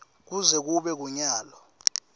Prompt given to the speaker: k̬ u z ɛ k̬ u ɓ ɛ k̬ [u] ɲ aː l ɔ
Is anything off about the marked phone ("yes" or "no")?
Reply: no